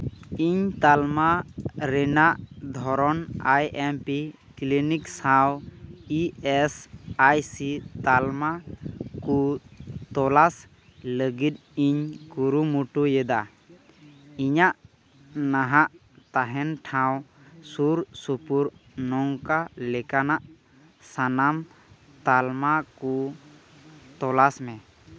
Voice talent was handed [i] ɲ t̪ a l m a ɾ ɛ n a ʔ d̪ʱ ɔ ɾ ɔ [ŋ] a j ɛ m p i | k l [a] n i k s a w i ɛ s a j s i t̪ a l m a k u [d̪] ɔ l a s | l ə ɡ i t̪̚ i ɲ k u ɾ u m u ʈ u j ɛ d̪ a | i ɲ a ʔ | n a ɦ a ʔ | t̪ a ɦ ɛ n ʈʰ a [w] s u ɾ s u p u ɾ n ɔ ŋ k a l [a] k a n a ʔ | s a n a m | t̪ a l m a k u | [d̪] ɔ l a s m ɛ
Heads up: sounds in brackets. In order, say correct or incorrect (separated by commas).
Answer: correct, incorrect, incorrect, incorrect, correct, incorrect, incorrect